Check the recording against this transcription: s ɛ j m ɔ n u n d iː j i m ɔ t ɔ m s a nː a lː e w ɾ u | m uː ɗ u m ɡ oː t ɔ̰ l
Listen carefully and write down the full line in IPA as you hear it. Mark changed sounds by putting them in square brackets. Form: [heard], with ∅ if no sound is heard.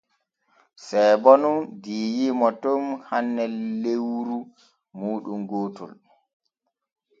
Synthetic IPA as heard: s ɛ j [b] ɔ n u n d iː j i m ɔ t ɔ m [h] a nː [ɛ] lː e w ɾ u | m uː ɗ u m ɡ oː t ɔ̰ l